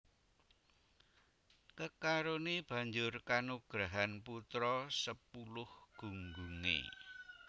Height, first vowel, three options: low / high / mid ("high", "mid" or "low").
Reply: mid